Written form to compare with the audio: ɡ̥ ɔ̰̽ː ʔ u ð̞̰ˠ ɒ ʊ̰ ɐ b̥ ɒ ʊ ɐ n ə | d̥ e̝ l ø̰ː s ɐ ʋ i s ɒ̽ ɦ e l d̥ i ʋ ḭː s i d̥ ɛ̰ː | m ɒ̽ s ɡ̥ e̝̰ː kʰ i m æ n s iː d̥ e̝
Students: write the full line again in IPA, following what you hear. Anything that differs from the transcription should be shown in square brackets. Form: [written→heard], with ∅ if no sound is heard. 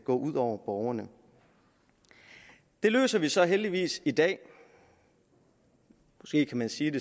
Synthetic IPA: ɡ̥ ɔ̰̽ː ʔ u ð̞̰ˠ ɒ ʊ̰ ɐ b̥ ɒ ʊ ɐ n ə | d̥ e̝ l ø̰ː s ɐ ʋ i s ɒ̽ ɦ e l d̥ i ʋ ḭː s i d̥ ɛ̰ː | m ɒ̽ s ɡ̥ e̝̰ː kʰ [i→æ] m æ n s iː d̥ e̝

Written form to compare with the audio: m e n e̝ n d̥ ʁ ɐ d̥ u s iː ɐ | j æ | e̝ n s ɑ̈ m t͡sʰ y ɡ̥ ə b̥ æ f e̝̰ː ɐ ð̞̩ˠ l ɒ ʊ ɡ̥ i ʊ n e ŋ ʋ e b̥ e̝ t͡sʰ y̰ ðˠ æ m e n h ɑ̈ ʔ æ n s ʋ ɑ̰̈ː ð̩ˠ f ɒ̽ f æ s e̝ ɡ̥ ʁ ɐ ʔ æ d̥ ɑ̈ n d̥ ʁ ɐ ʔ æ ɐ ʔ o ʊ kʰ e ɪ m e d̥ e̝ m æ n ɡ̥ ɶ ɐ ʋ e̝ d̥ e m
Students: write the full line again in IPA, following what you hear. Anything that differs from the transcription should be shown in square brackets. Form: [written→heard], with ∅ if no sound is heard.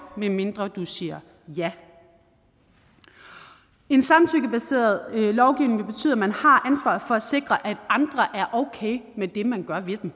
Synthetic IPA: m e [n→m] e̝ n d̥ ʁ ɐ d̥ u s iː ɐ | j æ | e̝ n s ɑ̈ m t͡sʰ y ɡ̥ ə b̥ æ [f→s] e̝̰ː ɐ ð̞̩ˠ l ɒ ʊ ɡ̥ i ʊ n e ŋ ʋ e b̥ e̝ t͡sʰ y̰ ðˠ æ m [e→æ] n h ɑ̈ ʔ æ n s ʋ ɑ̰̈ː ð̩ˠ f ɒ̽ [f→∅] æ s e̝ ɡ̥ ʁ ɐ ʔ æ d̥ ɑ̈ n d̥ ʁ ɐ ʔ æ ɐ ʔ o ʊ kʰ e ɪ m e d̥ e̝ m æ n ɡ̥ ɶ ɐ ʋ e̝ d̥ e m

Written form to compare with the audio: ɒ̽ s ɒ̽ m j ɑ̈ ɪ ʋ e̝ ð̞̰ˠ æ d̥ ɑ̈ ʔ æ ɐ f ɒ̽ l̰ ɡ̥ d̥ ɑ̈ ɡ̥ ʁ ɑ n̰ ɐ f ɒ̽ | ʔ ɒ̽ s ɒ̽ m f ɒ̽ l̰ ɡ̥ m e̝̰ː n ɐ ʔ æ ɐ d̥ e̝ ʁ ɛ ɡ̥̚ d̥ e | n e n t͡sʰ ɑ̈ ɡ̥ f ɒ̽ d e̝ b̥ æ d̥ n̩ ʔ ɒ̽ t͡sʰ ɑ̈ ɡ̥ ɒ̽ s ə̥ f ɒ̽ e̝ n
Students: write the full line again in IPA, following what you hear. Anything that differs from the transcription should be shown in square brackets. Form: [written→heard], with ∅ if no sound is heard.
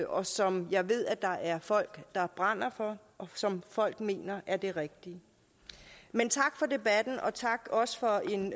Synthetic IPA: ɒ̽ s ɒ̽ m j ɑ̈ ɪ ʋ e̝ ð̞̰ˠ æ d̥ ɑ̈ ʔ æ ɐ f ɒ̽ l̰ ɡ̥ d̥ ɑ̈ [ɡ̥→b̥] ʁ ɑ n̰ ɐ f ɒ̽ | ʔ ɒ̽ s ɒ̽ m f ɒ̽ l̰ ɡ̥ m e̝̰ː n ɐ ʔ æ ɐ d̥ e̝ ʁ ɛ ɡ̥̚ d̥ [e→i] | [n→m] e n t͡sʰ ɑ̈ ɡ̥ f ɒ̽ d e̝ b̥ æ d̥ n̩ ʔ ɒ̽ t͡sʰ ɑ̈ ɡ̥ ɒ̽ s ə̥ f ɒ̽ e̝ n

